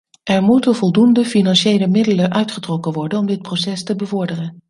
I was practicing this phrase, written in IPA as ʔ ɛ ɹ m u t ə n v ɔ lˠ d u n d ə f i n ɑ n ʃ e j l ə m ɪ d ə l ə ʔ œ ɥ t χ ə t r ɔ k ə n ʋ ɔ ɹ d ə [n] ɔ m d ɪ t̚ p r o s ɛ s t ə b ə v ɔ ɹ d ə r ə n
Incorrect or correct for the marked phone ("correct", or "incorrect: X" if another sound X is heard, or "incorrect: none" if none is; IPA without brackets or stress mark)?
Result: correct